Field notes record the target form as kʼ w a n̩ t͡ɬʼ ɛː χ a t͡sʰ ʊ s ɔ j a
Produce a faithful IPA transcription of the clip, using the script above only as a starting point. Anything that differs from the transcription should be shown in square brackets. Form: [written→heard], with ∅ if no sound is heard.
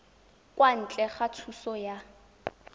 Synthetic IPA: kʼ w a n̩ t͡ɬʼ [ɛː→ɛ] χ a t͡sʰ [ʊ→u] s ɔ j a